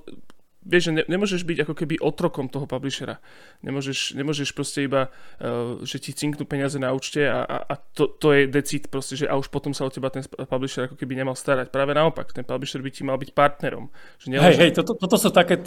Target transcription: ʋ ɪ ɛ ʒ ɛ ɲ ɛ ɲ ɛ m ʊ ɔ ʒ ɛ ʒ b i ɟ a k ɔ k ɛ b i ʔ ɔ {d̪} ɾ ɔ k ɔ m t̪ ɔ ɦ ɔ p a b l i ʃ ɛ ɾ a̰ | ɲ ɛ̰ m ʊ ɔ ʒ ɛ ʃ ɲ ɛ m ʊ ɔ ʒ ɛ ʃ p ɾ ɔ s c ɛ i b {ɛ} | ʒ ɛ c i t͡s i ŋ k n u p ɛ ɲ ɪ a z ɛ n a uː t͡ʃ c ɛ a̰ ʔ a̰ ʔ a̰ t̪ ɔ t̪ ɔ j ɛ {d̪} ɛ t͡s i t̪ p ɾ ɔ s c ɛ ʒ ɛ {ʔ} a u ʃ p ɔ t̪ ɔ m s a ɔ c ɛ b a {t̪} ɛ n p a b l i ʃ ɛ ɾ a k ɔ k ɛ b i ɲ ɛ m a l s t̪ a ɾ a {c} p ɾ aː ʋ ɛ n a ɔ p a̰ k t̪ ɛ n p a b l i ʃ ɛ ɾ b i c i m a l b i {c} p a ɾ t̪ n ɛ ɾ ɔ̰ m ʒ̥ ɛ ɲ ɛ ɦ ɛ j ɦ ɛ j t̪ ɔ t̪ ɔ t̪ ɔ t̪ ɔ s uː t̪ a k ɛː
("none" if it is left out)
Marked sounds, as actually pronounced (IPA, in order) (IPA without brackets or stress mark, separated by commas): t̪, a, d̪, ʔ, t̪, c, c